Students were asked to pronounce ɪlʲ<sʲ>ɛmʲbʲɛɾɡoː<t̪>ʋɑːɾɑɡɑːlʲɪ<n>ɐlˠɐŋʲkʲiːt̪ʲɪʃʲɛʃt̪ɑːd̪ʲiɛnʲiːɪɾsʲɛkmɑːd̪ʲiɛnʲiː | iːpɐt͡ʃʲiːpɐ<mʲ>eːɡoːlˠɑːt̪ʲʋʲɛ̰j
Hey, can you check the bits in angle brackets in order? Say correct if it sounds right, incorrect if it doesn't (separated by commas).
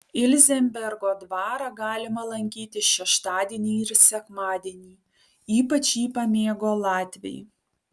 incorrect, incorrect, incorrect, correct